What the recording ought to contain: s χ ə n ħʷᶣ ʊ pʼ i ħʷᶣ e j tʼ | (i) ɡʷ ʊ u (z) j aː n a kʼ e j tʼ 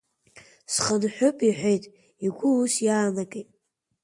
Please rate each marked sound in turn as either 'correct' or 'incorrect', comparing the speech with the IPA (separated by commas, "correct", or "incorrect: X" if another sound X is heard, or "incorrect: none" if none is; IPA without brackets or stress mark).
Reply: correct, incorrect: s